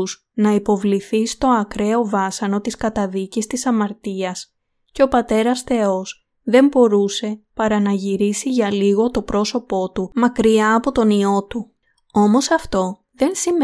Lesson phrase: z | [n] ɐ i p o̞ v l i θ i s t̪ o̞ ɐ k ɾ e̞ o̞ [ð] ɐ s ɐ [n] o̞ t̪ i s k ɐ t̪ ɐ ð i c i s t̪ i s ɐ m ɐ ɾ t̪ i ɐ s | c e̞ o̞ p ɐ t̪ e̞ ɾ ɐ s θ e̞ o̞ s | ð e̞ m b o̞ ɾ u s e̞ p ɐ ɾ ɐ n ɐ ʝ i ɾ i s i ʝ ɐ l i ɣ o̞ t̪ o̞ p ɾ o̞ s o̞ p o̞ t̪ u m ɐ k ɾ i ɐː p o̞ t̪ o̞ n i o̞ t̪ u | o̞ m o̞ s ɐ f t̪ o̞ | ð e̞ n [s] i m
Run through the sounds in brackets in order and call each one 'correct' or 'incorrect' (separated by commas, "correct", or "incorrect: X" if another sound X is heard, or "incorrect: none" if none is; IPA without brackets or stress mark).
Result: correct, incorrect: v, correct, correct